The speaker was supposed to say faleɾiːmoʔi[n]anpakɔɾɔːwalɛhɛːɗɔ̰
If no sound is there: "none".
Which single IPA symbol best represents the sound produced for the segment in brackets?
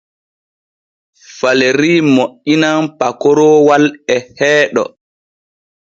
n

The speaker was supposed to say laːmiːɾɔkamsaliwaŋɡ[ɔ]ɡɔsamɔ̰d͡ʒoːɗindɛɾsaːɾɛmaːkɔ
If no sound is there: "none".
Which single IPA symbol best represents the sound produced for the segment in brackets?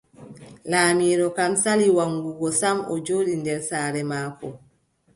u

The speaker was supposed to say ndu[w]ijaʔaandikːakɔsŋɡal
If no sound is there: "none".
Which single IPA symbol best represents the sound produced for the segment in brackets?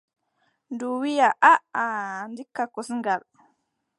w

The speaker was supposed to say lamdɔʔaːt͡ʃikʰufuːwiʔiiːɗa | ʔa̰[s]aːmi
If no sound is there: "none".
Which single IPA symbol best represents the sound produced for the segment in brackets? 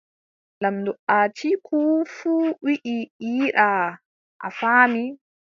f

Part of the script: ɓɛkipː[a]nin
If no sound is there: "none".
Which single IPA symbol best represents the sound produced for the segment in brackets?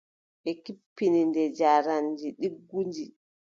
i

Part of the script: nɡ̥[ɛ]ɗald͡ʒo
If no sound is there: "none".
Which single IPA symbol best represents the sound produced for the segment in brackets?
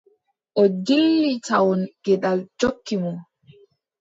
ɛ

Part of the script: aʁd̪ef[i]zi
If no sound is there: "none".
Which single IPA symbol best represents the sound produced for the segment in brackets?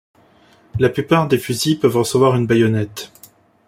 y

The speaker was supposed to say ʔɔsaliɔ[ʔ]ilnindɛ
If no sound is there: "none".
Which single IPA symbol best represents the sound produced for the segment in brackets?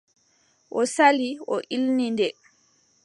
ʔ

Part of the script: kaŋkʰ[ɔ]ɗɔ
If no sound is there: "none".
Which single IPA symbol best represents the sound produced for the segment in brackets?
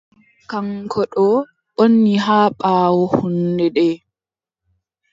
ɔ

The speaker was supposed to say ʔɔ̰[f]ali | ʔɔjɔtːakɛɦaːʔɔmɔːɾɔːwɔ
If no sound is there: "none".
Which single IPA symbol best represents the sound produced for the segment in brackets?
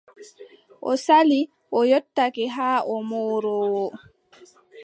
s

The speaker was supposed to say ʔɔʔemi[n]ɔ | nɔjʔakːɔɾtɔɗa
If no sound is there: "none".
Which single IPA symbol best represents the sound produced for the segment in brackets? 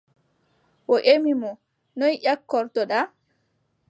m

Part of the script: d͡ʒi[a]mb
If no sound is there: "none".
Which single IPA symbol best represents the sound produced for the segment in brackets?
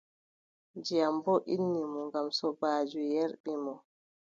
a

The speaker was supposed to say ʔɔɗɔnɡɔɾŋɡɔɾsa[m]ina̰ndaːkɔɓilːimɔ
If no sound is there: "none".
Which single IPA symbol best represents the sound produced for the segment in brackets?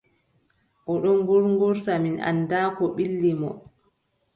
m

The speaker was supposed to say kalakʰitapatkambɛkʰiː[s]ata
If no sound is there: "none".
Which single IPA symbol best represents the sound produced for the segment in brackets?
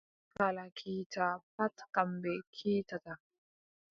t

